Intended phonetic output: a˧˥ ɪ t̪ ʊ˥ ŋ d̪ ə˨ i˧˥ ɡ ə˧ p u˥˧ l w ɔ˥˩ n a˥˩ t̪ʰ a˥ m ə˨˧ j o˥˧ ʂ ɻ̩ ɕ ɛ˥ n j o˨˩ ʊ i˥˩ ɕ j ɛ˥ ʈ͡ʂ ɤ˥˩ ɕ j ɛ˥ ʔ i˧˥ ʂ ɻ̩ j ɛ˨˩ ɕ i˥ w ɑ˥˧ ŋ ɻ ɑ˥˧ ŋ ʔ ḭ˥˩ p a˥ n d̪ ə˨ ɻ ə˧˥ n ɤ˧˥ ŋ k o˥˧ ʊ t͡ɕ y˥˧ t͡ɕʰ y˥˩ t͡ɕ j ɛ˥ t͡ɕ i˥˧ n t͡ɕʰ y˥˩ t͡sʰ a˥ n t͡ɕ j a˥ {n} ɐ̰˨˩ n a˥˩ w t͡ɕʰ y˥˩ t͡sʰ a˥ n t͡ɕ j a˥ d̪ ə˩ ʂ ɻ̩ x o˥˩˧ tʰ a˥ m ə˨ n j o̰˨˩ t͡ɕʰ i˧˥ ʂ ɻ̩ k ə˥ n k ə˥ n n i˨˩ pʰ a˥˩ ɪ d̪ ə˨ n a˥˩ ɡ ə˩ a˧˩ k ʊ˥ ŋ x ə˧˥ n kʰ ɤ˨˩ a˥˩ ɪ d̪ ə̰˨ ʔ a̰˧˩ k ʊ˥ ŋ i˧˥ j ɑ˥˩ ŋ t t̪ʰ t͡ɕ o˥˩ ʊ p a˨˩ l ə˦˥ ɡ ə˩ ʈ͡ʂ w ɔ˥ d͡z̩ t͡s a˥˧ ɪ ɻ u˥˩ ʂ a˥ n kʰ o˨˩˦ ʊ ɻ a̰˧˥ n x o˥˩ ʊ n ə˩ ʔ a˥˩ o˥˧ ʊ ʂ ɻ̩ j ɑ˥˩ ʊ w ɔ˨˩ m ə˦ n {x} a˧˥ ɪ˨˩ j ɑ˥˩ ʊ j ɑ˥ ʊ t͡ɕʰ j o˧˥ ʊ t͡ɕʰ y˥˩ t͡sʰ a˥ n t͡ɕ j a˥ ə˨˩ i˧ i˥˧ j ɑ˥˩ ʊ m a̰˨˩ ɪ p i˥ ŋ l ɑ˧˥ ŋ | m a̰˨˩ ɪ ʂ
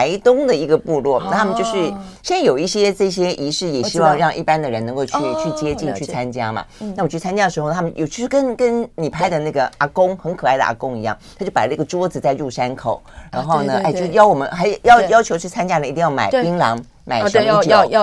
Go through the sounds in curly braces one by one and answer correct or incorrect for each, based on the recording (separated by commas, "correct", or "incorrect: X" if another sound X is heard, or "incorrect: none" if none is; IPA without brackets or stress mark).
incorrect: m, correct